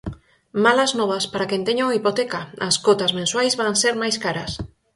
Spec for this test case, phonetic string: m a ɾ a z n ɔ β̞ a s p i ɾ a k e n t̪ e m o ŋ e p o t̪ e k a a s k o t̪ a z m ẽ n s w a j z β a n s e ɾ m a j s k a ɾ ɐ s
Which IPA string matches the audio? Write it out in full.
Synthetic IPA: m a l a z n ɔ β̞ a s p a ɾ a k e n t̪ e ɲ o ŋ i p o t̪ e k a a s k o t̪ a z m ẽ n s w a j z β a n s e ɾ m a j s k a ɾ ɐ s